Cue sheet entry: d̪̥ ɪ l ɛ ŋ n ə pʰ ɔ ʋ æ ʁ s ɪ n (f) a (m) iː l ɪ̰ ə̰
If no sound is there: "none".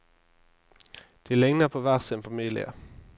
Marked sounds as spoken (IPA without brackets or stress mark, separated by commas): f, m